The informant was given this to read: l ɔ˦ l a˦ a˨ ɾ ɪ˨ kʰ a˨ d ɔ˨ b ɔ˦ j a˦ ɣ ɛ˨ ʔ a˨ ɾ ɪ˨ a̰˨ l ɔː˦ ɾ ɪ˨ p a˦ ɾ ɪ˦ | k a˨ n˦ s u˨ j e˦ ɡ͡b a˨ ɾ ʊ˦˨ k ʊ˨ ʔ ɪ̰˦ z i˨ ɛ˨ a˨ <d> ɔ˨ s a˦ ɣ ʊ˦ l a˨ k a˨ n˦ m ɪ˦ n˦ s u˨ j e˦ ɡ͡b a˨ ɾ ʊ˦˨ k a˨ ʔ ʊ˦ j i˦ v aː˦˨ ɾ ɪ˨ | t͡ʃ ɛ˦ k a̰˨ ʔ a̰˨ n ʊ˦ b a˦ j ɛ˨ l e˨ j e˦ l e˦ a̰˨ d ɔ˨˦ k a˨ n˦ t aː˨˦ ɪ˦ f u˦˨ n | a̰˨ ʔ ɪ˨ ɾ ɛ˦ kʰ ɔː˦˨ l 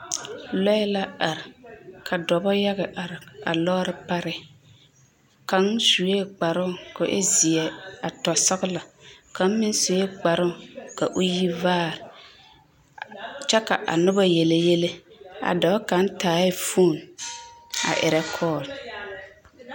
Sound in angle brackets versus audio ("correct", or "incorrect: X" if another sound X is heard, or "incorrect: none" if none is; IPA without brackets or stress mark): incorrect: t